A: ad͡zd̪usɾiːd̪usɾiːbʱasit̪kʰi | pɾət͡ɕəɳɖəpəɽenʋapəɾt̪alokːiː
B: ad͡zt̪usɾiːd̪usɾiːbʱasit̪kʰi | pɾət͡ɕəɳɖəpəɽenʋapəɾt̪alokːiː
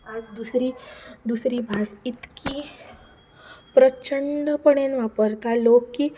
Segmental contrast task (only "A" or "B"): A